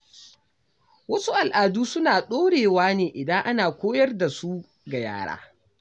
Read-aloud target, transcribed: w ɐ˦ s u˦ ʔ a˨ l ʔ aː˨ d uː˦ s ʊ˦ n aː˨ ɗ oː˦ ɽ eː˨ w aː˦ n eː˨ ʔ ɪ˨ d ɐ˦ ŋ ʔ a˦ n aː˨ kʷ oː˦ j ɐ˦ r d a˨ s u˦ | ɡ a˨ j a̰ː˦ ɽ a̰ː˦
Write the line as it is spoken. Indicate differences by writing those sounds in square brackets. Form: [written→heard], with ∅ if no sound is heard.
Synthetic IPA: w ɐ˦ s u˦ ʔ a˨ l ʔ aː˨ d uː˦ s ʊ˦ n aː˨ ɗ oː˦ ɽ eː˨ w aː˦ n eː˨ ʔ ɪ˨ d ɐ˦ ŋ ʔ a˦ n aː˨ kʷ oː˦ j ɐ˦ r d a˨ s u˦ | ɡ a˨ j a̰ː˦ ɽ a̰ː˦